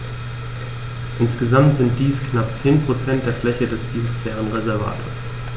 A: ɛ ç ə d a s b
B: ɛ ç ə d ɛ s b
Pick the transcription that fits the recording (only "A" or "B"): B